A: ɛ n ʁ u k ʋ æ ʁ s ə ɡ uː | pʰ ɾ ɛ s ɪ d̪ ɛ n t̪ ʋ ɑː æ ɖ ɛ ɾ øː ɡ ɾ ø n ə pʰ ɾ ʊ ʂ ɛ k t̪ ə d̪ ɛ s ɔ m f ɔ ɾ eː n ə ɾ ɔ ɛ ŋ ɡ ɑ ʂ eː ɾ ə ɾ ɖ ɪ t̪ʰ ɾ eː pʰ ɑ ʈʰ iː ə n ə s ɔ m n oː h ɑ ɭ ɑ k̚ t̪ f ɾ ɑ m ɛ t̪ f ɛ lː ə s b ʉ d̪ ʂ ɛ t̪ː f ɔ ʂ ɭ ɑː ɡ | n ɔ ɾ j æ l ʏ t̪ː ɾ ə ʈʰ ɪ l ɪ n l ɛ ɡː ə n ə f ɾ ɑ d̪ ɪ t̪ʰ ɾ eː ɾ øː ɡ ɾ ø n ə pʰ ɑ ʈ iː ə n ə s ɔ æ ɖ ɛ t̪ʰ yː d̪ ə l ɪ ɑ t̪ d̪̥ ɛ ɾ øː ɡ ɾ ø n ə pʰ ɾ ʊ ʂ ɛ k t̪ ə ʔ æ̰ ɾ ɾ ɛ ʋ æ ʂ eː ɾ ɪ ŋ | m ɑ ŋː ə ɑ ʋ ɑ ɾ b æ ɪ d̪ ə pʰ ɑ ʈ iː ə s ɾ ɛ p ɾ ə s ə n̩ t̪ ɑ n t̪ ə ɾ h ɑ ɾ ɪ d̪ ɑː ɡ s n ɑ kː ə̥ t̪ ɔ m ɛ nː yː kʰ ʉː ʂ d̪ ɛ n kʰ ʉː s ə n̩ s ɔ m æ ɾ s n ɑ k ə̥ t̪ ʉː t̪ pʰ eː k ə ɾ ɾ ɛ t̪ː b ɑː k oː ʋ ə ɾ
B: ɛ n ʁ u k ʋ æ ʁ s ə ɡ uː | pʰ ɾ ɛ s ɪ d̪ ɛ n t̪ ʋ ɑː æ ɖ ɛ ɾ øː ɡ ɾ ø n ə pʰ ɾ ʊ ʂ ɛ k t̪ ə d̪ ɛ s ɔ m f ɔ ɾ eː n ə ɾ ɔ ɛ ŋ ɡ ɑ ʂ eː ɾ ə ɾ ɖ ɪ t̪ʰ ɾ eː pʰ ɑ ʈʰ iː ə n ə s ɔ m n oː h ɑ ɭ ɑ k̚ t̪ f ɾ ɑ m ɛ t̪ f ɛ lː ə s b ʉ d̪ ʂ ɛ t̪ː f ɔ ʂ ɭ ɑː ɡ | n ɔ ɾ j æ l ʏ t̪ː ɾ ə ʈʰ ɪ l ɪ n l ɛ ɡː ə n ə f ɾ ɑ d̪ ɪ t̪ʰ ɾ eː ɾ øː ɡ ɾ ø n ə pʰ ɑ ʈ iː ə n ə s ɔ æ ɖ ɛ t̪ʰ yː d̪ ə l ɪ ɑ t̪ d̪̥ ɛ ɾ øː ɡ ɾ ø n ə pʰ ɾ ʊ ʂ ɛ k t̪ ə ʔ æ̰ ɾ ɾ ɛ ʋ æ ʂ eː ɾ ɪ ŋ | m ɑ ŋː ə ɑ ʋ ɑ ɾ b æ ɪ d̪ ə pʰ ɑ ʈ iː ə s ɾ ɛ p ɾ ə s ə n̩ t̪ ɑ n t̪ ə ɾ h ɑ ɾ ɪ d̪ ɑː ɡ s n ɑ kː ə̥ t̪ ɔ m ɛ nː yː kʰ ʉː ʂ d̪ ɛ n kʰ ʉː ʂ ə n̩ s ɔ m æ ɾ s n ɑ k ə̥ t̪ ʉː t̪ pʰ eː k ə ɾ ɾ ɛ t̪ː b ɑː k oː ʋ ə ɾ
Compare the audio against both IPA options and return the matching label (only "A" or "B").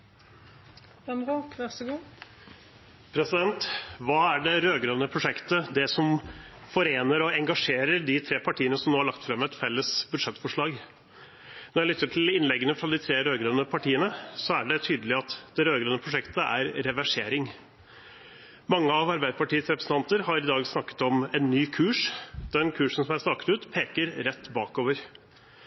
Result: B